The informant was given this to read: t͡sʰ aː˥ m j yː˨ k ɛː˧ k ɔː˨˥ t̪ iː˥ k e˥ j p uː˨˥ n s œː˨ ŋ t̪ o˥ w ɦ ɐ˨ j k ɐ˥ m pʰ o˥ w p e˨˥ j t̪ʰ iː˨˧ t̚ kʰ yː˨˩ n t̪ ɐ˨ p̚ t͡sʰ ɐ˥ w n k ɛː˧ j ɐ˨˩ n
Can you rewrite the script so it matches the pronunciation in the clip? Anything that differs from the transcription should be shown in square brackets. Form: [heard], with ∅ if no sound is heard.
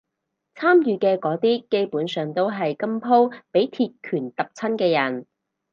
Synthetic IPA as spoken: t͡sʰ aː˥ m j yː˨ k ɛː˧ k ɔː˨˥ t̪ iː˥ k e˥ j p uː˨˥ n s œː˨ ŋ t̪ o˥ w ɦ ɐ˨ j k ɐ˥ m pʰ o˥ w p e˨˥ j t̪ʰ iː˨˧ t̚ kʰ yː˨˩ n t̪ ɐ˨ p̚ t͡sʰ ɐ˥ [∅] n k ɛː˧ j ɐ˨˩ n